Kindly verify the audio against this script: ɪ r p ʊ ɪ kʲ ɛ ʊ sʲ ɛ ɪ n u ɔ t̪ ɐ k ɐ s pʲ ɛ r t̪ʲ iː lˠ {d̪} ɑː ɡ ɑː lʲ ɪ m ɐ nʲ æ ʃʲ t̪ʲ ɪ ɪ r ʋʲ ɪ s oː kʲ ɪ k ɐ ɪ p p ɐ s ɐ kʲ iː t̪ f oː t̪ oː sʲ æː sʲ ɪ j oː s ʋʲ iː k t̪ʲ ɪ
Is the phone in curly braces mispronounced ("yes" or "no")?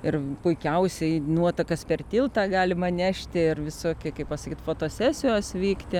yes